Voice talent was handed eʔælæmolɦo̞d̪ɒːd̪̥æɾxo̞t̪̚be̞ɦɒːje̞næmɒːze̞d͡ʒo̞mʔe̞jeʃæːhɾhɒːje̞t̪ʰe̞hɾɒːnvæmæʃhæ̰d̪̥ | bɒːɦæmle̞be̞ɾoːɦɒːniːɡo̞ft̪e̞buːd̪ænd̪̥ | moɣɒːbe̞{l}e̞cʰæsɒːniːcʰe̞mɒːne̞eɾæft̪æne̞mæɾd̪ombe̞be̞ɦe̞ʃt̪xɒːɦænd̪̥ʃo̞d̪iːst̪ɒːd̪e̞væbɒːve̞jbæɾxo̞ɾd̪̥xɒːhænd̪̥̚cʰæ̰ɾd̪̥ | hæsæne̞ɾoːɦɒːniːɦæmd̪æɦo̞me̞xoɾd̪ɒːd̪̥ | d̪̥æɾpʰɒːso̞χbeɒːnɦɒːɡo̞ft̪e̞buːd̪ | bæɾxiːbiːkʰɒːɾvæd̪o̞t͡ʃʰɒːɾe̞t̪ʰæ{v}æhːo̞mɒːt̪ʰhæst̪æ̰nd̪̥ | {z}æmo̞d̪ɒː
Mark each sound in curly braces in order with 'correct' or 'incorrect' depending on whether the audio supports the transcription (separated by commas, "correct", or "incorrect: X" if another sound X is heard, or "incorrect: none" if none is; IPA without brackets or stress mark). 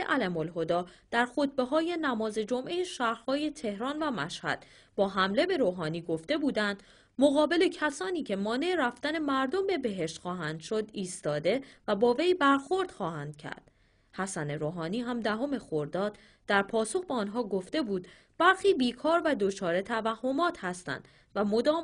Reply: correct, correct, incorrect: v